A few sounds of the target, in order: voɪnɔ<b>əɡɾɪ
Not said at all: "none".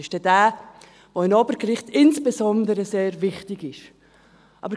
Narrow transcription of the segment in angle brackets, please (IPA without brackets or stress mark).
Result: b